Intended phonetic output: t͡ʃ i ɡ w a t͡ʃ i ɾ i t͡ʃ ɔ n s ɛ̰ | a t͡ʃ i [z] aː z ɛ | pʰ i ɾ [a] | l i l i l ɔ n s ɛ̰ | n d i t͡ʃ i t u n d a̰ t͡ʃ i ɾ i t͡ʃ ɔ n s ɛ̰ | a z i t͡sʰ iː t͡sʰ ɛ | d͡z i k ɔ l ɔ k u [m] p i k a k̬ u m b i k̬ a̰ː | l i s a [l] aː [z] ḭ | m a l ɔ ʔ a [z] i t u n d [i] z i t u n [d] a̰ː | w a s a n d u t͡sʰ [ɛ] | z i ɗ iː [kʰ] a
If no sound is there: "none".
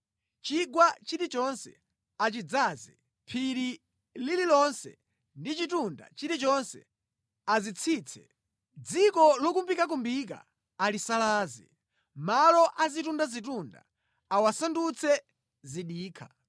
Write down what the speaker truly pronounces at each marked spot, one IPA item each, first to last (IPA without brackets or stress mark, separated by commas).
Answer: d͡z, i, m, l, z, z, a, d, ɛ, kʰ